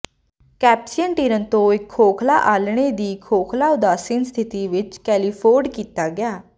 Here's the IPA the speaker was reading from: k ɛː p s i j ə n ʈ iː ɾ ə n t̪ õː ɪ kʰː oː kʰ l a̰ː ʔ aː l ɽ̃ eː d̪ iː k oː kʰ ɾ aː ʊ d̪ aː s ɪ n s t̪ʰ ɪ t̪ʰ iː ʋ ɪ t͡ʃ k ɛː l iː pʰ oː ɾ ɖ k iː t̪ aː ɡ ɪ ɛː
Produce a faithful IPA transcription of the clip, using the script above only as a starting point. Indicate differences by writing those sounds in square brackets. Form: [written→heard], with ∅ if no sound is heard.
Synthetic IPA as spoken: k ɛː p s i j ə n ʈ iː ɾ ə n t̪ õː ɪ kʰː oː kʰ l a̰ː ʔ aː l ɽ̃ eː d̪ iː [k→kʰ] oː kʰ [ɾ→l] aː ʊ d̪ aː s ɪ n s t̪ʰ ɪ [t̪ʰ→t̪] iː ʋ ɪ t͡ʃ k ɛː l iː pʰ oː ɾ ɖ k iː t̪ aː ɡ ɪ [ɛː→aː]

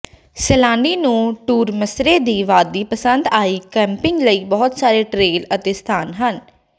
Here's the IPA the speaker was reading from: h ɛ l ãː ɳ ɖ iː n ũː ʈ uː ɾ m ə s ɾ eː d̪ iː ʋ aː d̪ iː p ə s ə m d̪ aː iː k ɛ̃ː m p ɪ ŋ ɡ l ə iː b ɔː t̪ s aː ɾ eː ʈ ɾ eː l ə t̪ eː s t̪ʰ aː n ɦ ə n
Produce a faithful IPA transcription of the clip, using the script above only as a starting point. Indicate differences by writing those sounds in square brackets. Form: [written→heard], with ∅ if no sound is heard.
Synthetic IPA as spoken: [h→s] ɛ l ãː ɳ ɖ iː n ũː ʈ uː ɾ m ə s ɾ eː d̪ iː ʋ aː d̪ iː p ə s ə [m→n] d̪ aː iː k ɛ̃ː m p ɪ ŋ ɡ l ə iː b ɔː t̪ s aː ɾ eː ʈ ɾ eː l ə t̪ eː s t̪ʰ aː n ɦ ə n

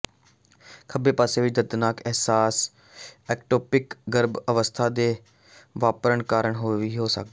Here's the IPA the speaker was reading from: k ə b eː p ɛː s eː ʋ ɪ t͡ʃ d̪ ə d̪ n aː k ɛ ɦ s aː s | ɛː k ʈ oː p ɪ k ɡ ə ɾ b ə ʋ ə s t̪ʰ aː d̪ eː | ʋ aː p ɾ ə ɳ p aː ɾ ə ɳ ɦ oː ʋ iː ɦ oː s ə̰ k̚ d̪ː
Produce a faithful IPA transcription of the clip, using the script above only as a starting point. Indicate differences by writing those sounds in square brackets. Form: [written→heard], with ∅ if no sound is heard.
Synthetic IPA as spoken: [k→kʰ] ə b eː p [ɛː→aː] s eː ʋ ɪ t͡ʃ d̪ ə d̪ n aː k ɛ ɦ s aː s | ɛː k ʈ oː p ɪ k ɡ ə ɾ b ə ʋ ə s t̪ʰ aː d̪ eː | ʋ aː p ɾ ə ɳ [p→k] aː ɾ ə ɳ ɦ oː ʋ iː ɦ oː s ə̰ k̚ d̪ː

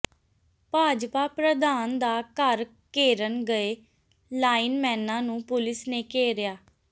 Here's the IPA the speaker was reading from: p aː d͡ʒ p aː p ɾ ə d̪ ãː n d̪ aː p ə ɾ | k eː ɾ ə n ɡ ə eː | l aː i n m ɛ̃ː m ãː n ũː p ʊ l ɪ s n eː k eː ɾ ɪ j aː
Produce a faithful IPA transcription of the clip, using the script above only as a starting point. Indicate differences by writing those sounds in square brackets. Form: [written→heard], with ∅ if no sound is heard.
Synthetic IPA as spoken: p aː d͡ʒ p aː p ɾ ə d̪ [ãː→aː] n d̪ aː [p→k] ə ɾ | k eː ɾ ə n ɡ ə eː | l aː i n m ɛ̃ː [m→n] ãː n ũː p ʊ l ɪ s n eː k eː ɾ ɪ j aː

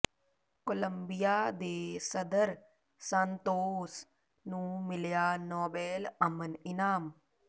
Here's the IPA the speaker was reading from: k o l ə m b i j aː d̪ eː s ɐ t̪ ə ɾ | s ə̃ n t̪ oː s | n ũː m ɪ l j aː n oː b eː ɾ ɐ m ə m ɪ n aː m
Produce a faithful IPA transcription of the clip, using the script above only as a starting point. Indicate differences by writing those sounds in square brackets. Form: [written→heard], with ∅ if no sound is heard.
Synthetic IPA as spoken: k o l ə m b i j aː d̪ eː s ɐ [t̪→d̪] ə ɾ | s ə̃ n t̪ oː s | n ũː m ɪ l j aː n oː b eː [ɾ→l] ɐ m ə [m→n] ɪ n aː m

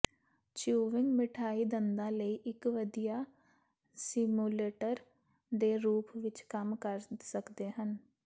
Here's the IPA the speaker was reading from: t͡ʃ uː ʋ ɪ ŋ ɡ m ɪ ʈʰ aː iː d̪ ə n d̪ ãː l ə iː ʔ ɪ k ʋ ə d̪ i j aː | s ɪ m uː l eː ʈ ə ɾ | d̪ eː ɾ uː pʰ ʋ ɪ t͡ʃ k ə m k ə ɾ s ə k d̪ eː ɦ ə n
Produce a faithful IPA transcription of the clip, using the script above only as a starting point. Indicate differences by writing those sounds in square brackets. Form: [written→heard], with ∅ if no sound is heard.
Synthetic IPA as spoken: t͡ʃ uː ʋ ɪ ŋ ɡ m ɪ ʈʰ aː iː d̪ ə n d̪ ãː l ə iː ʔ ɪ k ʋ ə d̪ i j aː | s ɪ m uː l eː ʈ ə ɾ | d̪ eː ɾ uː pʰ ʋ ɪ t͡ʃ k ə m k ə ɾ s ə k d̪ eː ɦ ə n

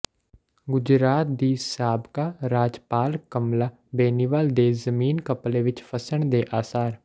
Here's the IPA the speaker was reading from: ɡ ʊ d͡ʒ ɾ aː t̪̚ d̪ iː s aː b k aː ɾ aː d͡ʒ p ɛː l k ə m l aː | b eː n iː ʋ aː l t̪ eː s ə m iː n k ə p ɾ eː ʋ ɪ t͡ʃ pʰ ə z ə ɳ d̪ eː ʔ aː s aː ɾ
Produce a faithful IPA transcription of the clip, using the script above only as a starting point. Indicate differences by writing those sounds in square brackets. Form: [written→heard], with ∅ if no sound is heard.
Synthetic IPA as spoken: ɡ ʊ d͡ʒ ɾ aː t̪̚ d̪ iː s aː b k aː ɾ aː d͡ʒ p [ɛː→aː] l k ə m l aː | b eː n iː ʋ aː l [t̪→d̪] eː [s→z] ə m iː n k ə p [ɾ→l] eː ʋ ɪ t͡ʃ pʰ ə [z→s] ə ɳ d̪ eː ʔ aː s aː ɾ

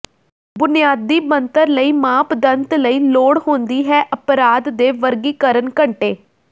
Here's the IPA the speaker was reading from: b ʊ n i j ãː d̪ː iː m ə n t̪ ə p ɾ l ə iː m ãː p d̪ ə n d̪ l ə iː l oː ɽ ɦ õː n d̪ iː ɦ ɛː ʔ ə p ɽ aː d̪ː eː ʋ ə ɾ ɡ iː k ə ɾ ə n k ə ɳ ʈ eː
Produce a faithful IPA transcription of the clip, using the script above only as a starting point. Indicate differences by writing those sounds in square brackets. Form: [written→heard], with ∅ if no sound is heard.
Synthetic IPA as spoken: b ʊ n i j [ãː→aː] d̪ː iː m ə n t̪ ə [p→∅] ɾ l ə iː m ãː p d̪ ə n [d̪→t̪] l ə iː l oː ɽ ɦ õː n d̪ iː ɦ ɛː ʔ ə p [ɽ→ɾ] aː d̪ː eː ʋ ə ɾ ɡ iː k ə ɾ ə n k ə ɳ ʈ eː

